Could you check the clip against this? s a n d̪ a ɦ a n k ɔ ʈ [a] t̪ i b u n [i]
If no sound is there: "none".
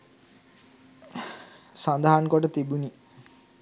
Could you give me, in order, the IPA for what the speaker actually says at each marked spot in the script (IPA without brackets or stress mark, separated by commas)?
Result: ə, i